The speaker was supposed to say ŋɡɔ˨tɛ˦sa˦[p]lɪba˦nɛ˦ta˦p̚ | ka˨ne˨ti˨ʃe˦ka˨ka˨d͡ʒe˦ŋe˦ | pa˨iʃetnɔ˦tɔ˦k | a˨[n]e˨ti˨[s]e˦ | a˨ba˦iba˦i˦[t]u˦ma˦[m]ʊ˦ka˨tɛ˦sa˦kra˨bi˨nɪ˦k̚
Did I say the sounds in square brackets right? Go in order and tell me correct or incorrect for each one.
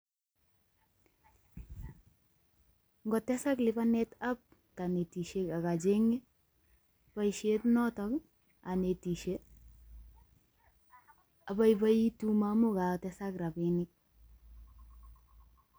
incorrect: k, correct, incorrect: ʃ, correct, correct

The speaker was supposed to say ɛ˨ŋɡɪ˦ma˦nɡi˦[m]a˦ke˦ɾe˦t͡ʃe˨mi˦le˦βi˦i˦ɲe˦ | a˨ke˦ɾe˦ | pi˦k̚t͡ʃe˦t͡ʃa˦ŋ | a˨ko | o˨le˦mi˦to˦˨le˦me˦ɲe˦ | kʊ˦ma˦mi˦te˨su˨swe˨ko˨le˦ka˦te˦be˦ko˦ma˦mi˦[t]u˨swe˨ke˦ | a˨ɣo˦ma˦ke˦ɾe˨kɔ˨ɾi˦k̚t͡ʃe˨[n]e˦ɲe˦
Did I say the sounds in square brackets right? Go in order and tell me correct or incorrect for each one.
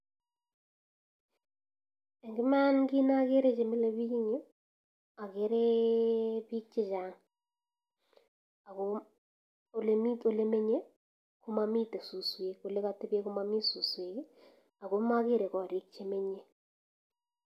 incorrect: n, incorrect: s, incorrect: m

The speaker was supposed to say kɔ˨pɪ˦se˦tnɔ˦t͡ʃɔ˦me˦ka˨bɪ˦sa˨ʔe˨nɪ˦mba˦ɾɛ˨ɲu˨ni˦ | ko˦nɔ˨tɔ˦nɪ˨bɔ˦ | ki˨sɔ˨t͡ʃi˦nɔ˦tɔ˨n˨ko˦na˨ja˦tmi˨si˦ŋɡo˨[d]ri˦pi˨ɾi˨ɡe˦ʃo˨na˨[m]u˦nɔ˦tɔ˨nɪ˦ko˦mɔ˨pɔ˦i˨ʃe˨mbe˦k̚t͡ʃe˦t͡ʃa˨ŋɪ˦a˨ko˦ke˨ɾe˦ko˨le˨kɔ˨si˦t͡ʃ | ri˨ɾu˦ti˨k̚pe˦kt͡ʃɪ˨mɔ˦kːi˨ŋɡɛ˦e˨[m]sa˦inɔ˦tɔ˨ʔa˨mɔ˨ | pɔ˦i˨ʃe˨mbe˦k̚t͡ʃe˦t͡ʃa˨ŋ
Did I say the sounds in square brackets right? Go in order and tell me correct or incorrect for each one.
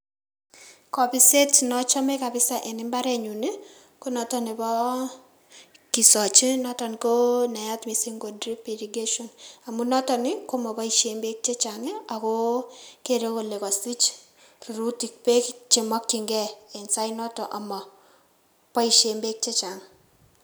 correct, correct, incorrect: n

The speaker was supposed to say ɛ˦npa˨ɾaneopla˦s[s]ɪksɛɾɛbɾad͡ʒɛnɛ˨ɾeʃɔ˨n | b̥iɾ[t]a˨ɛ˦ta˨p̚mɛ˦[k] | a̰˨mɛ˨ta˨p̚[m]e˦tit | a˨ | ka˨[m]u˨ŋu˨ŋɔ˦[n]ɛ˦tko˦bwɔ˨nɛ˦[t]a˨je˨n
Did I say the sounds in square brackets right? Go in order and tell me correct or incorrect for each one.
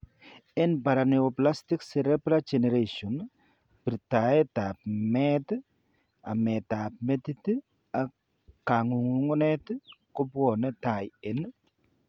incorrect: t, correct, incorrect: t, correct, incorrect: ŋ, correct, correct

